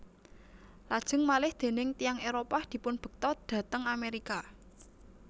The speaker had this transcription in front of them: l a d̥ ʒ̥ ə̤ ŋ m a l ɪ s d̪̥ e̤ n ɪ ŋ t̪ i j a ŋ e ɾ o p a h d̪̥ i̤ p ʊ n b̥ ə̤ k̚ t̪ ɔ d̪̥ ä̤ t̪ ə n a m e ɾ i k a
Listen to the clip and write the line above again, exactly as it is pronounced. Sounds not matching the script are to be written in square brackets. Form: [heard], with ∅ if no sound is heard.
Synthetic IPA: l a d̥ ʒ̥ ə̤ ŋ m a l ɪ [h] d̪̥ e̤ n ɪ ŋ t̪ i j a ŋ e ɾ o p a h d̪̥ i̤ p ʊ n b̥ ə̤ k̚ t̪ ɔ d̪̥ ä̤ t̪ ə [ŋ] a m e ɾ i k a